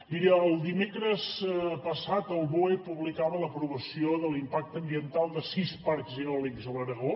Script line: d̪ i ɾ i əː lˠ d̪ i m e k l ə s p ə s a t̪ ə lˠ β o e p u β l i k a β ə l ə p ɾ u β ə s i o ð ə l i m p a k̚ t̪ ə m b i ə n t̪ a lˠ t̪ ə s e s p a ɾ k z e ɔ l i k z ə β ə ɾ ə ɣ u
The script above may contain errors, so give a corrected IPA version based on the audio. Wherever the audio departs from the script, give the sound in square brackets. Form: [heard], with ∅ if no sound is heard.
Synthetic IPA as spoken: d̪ i ɾ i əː lˠ d̪ i m e k [ɾ] ə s p ə s a t̪ ə lˠ β o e p u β l i k a β ə l ə p ɾ u β ə s i o ð ə l i m p a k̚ t̪ ə m b i ə n t̪ a lˠ [d̪] ə s [i] s p a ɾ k z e ɔ l i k z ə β ə ɾ ə ɣ [o]